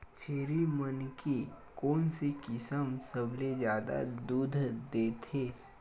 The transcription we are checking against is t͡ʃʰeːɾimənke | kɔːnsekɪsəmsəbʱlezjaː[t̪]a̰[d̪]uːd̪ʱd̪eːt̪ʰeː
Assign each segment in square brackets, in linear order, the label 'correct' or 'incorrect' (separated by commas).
incorrect, correct